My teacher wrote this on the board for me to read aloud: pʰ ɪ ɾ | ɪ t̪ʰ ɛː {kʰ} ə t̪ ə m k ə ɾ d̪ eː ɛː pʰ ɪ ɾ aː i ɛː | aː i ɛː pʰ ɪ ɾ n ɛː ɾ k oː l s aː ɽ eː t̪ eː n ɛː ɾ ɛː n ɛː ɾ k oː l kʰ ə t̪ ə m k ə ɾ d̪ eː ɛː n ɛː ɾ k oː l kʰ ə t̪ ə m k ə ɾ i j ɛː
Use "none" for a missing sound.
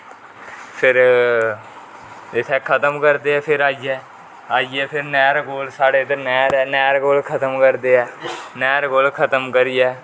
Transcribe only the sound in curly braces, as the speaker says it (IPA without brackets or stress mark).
kʰ